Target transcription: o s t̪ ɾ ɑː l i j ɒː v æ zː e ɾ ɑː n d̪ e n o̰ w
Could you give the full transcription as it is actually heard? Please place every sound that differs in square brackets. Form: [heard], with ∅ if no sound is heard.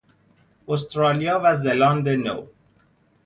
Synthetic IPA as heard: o s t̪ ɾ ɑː l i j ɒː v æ [z] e [l] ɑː n d̪ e n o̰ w